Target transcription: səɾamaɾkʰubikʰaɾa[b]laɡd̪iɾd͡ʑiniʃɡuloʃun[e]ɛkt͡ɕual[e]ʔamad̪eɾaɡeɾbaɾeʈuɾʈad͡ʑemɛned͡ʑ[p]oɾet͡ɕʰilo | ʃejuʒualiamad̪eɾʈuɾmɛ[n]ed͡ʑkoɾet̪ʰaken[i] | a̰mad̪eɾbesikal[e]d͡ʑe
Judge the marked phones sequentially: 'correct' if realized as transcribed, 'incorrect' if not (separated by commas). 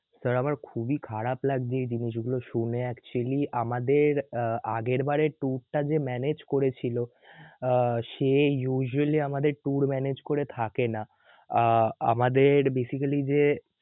incorrect, correct, incorrect, incorrect, correct, incorrect, incorrect